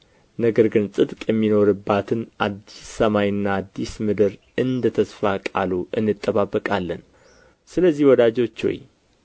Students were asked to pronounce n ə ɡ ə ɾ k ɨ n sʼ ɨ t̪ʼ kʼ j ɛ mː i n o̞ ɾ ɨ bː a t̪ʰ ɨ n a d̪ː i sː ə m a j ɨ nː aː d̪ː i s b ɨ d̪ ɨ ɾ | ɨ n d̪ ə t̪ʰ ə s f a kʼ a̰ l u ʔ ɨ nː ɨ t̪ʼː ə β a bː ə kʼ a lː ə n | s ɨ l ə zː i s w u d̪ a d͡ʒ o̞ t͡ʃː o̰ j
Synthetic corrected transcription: n ə ɡ ə ɾ ɡ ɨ n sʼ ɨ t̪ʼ kʼ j ɛ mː i n o̞ ɾ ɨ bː a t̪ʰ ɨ n a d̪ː i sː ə m a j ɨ nː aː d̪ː i s m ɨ d̪ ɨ ɾ | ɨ n d̪ ə t̪ʰ ə s f a kʼ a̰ l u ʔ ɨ nː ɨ t̪ʼː ə β a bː ə kʼ a lː ə n | s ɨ l ə zː i h w ɔ d̪ a d͡ʒ o̞ t͡ʃː o̰ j